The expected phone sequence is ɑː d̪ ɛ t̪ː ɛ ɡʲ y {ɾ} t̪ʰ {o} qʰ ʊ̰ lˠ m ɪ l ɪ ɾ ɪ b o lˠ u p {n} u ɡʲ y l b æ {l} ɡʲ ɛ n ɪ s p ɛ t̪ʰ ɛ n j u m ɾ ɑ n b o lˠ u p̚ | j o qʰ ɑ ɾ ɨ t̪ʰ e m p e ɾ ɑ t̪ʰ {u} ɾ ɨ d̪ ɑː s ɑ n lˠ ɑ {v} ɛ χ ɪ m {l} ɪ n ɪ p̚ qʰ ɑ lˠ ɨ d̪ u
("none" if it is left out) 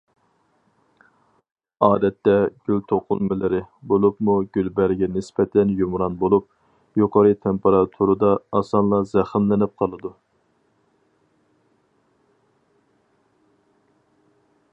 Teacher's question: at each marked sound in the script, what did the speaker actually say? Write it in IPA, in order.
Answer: l, o, m, ɾ, u, z, l

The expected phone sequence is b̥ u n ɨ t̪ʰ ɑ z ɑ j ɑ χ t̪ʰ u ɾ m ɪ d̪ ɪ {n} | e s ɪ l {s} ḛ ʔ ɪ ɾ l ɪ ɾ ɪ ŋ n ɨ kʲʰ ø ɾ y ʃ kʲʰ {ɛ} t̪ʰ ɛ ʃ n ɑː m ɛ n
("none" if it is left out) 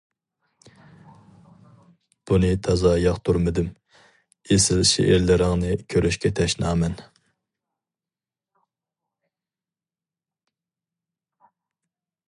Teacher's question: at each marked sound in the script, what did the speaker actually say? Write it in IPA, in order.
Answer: m, ʃ, ɛ

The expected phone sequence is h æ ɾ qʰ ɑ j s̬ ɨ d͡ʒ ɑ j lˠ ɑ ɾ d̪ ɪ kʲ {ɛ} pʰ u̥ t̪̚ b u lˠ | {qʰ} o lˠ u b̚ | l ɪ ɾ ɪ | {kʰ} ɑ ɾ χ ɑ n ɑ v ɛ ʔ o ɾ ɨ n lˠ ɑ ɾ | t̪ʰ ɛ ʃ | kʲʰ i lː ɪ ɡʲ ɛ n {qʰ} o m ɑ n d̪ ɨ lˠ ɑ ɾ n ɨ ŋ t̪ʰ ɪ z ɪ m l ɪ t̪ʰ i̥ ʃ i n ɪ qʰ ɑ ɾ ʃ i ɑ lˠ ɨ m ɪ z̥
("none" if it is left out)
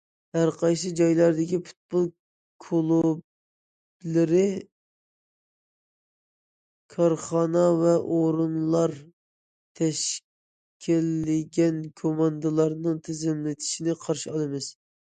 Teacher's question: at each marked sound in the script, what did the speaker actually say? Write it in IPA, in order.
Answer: i, kʰ, kʰ, kʰ

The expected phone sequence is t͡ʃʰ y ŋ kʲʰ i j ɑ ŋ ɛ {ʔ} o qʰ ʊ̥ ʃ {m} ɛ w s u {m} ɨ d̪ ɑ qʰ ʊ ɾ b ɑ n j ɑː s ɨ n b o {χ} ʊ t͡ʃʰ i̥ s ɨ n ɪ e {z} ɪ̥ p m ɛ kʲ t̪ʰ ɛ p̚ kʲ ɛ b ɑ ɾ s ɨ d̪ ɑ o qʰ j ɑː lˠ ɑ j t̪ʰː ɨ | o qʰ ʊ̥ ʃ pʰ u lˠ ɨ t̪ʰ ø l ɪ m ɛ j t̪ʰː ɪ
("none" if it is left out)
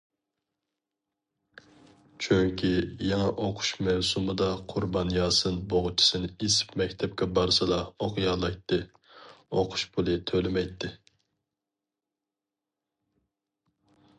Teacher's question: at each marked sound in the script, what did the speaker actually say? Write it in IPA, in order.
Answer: ʔ, m, m, ʁ, s

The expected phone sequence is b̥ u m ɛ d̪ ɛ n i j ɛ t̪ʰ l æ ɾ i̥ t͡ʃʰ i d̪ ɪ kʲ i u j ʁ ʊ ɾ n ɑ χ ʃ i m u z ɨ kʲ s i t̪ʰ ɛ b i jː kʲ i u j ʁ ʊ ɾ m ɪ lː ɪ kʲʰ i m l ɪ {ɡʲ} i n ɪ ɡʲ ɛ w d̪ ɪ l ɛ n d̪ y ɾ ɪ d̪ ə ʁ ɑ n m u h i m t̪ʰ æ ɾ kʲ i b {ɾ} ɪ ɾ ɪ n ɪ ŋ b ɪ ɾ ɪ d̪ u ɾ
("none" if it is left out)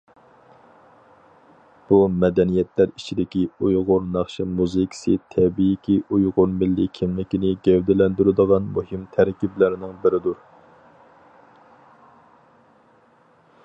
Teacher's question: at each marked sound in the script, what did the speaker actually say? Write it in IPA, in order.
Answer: kʲ, l

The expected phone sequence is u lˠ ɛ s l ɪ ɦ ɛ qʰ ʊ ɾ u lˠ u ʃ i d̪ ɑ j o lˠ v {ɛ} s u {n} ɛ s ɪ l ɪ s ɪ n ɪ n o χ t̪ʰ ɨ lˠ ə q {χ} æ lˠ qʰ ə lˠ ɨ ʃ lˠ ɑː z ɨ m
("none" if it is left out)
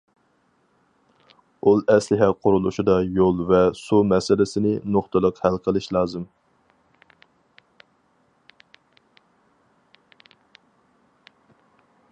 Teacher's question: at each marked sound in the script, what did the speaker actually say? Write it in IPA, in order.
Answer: ɛ, m, h

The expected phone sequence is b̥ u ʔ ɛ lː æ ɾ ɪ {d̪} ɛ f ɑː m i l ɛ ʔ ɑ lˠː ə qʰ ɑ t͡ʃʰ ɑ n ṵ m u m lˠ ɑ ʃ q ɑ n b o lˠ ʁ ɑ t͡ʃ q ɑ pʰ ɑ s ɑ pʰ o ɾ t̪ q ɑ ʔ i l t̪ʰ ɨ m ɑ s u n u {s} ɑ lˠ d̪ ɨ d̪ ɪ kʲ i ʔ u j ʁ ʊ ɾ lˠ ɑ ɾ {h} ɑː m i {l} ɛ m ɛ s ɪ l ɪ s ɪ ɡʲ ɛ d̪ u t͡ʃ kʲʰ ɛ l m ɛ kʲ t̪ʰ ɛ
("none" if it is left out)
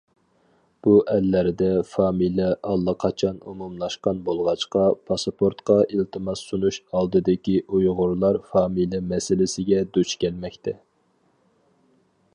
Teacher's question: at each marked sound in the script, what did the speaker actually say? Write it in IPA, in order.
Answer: d̪, ʃ, f, l

